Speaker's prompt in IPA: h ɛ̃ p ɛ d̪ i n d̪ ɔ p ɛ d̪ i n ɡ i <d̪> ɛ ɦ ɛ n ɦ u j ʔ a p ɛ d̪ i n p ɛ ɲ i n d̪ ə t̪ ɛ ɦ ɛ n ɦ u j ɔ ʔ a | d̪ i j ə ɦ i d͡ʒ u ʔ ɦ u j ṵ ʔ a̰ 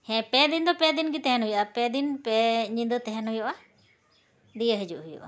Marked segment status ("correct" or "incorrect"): incorrect